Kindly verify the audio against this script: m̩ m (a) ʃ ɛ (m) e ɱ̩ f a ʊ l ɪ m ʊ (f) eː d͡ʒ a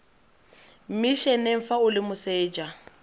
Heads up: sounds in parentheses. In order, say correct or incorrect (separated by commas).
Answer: incorrect, incorrect, incorrect